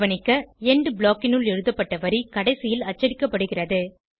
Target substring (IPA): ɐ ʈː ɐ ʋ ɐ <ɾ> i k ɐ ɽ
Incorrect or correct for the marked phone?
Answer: correct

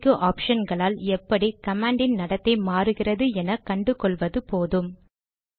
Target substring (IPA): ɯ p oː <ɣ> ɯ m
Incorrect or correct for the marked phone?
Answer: incorrect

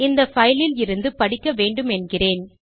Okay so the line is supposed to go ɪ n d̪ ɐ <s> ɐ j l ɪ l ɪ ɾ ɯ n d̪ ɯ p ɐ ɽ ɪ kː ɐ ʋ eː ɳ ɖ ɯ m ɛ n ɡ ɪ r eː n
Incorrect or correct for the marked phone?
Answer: incorrect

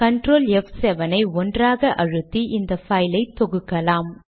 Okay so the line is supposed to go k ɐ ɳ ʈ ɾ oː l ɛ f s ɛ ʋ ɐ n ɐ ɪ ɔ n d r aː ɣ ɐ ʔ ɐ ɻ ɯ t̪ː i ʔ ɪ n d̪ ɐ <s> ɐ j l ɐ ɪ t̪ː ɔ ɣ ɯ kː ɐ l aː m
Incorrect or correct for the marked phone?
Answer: incorrect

